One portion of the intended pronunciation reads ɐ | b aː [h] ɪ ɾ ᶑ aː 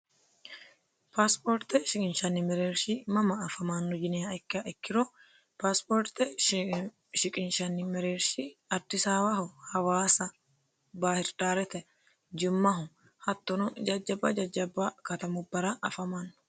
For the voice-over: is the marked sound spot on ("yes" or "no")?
yes